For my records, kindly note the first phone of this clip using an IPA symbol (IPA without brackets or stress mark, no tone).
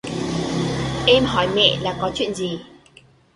ʔ